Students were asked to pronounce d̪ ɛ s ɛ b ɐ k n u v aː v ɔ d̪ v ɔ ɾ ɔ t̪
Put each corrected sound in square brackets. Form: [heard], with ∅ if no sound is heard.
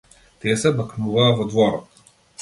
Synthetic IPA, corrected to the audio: [t̪] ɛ s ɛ b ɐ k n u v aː v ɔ d̪ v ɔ ɾ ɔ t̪